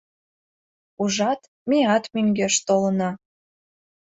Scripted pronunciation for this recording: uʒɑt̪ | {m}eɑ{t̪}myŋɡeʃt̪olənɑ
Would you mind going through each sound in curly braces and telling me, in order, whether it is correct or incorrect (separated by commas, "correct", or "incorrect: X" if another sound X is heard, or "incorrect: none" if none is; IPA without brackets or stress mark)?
correct, correct